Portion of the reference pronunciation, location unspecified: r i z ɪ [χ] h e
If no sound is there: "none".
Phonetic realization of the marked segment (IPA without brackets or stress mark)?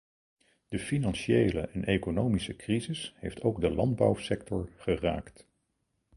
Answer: s